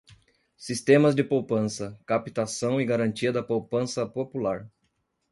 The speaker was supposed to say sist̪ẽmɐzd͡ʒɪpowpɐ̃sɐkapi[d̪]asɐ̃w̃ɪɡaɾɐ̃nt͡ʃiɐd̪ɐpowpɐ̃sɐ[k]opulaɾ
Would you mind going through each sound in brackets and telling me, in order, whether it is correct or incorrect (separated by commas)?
incorrect, incorrect